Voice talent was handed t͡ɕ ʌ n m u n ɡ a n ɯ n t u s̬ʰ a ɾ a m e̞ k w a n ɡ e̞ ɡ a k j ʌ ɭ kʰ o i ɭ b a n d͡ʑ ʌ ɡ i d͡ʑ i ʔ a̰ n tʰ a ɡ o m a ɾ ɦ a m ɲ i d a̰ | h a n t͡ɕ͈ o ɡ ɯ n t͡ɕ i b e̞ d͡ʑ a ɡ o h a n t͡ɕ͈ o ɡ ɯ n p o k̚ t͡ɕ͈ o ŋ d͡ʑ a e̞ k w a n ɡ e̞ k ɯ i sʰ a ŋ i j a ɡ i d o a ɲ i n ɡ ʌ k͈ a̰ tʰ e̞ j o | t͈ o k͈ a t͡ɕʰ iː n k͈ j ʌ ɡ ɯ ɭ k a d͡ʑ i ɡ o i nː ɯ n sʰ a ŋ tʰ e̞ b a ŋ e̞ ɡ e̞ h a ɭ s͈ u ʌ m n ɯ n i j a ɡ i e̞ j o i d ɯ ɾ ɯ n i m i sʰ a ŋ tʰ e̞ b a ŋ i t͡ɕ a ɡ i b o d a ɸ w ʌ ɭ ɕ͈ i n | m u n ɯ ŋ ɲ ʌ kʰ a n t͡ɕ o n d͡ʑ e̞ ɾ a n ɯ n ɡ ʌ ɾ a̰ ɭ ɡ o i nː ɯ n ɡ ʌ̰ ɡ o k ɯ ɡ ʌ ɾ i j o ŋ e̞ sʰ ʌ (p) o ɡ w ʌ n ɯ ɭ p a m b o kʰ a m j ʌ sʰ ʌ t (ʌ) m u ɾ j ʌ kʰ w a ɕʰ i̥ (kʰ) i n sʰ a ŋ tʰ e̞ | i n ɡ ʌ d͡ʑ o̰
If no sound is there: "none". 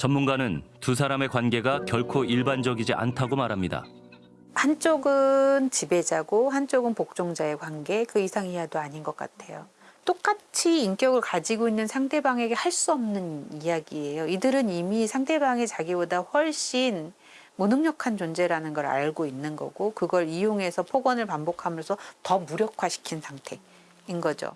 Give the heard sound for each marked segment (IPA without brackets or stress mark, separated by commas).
pʰ, ʌ, kʰ